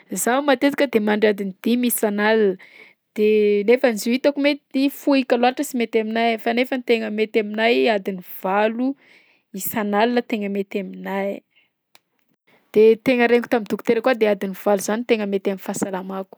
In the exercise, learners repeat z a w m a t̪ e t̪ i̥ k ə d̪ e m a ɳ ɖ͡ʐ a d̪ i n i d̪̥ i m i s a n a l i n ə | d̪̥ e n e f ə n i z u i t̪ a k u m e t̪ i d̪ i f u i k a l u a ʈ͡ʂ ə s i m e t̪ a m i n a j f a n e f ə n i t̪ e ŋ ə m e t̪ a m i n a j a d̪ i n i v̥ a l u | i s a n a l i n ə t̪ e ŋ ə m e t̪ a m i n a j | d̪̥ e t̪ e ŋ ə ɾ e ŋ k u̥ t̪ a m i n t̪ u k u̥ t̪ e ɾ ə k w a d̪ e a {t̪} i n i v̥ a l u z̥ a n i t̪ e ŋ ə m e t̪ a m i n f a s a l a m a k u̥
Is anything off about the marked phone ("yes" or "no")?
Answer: yes